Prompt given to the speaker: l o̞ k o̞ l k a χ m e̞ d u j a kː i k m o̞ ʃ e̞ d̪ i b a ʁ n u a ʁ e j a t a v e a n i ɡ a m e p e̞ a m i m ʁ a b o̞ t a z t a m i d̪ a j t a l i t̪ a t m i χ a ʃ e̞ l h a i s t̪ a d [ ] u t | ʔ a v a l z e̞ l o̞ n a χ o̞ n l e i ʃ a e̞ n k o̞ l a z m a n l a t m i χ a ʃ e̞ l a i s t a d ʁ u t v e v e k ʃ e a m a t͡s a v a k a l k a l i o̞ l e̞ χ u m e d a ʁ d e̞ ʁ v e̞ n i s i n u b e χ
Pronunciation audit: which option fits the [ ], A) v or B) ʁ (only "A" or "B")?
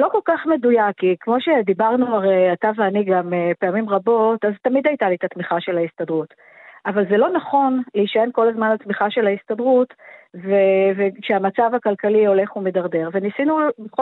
B